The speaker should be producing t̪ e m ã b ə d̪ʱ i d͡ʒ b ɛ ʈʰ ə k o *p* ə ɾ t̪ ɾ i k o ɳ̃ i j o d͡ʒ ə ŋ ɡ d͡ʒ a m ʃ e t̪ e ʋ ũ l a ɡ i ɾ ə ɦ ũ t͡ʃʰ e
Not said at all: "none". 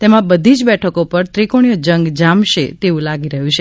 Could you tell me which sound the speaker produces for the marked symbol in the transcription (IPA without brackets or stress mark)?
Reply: p